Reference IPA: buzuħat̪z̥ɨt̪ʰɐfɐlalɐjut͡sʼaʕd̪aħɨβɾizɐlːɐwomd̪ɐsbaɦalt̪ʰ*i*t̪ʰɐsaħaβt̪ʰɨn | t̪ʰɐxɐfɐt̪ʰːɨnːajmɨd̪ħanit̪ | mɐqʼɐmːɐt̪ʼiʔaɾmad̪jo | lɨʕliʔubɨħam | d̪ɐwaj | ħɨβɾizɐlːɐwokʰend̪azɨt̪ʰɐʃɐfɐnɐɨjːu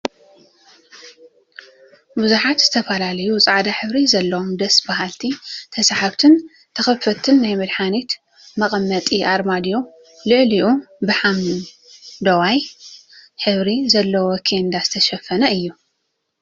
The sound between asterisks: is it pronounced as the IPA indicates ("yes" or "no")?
yes